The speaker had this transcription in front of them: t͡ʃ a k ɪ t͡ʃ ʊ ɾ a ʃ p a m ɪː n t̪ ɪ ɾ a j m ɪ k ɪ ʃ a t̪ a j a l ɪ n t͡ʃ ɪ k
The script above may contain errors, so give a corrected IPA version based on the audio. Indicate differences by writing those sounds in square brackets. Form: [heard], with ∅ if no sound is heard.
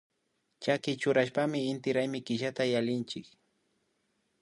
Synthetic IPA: t͡ʃ a k ɪ t͡ʃ ʊ ɾ a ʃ p a m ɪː n t̪ ɪ ɾ a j m ɪ k ɪ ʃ a t̪ a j a l ɪ n t͡ʃ ɪ k